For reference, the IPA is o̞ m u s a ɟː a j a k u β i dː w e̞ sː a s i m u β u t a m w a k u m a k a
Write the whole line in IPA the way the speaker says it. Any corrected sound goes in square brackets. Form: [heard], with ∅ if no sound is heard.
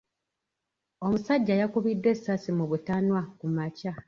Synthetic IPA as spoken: o̞ m u s a ɟː a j a k u β i dː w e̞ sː a s i m u β u t a [n] w a k u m a [c] a